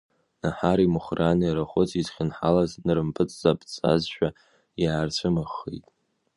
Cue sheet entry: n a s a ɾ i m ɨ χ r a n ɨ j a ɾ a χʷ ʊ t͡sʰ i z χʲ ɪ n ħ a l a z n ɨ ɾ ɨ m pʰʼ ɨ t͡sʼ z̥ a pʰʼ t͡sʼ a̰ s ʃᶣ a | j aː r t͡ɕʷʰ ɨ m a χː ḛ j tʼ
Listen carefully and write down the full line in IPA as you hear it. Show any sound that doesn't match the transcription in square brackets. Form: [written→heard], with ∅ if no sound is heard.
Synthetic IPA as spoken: n a [s→ħ] a ɾ i m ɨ χ r a n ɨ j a ɾ a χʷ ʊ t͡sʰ i z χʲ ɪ n ħ a l a z n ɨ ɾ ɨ m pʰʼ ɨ t͡sʼ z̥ a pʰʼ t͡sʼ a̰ [s→z] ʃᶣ a | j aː r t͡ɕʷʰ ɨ m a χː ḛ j tʼ